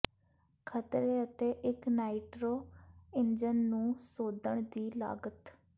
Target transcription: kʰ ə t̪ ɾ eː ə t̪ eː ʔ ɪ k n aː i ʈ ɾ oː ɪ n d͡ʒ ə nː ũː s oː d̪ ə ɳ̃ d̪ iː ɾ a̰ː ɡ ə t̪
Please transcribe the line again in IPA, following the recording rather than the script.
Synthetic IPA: kʰ ə t̪ ɾ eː ə t̪ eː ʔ ɪ k n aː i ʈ ɾ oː ɪ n d͡ʒ ə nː ũː s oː d̪ ə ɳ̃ d̪ iː l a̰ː ɡ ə t̪

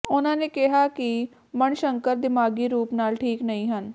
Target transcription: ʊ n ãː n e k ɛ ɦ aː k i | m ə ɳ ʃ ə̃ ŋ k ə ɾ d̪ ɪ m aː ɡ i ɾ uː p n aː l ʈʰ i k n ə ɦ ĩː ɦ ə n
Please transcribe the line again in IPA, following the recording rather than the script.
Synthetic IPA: ʊ n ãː n e k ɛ ɦ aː k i | m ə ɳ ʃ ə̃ ŋ k ə ɾ d̪ ɪ m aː ɡ i ɾ uː p n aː l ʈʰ iː k n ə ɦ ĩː ɦ ə n

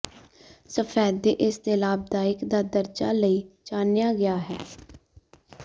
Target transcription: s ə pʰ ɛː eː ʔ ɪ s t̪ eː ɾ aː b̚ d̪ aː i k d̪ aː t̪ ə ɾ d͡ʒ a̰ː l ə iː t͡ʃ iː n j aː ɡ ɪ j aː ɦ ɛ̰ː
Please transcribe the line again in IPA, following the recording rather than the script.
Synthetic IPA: s ə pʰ ɛː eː ʔ ɪ s t̪ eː l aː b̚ d̪ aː ɪ k d̪ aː d̪ ə ɾ d͡ʒ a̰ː l ə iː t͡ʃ aː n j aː ɡ ɪ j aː ɦ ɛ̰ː

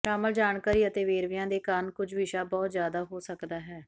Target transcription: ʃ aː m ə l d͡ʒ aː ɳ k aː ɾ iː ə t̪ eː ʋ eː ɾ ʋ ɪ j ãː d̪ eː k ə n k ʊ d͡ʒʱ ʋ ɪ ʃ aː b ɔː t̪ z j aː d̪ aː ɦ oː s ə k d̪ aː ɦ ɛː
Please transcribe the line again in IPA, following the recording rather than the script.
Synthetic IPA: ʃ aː m ə l d͡ʒ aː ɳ k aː ɾ iː ə t̪ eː ʋ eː ɾ ʋ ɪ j ãː d̪ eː k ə n k ʊ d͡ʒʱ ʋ ɪ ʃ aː b ɔː t̪ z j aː d̪ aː ɦ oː s ə k d̪ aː ɦ ɛː

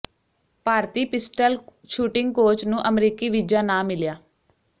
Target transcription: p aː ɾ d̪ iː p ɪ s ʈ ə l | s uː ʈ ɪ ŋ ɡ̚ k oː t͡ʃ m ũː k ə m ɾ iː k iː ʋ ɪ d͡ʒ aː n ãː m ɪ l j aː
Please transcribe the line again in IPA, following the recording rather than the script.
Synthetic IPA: p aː ɾ t̪ iː p ɪ s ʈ ə l | ʃ uː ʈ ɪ ŋ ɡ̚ k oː t͡ʃ n ũː ʔ ə m ɾ iː k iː ʋ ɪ d͡ʒ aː n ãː m ɪ l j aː

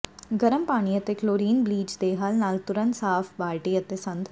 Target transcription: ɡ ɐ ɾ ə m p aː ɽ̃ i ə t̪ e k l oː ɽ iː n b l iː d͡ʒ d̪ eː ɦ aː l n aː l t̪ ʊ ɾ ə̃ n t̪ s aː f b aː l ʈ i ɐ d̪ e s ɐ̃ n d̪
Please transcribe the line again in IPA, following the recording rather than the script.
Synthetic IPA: ɡ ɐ ɾ ə m p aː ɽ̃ i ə t̪ e k l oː ɾ iː n b l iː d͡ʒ d̪ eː ɦ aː l n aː l t̪ ʊ ɾ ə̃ n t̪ s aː f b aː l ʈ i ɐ t̪ e s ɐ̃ n d̪

